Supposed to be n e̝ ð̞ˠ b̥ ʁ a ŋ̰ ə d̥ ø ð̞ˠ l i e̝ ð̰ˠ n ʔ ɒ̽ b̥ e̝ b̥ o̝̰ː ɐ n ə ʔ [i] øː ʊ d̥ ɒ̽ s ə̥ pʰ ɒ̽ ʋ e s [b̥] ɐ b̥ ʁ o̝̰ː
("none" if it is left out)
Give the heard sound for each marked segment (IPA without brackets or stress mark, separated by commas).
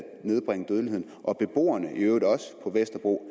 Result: i, d̥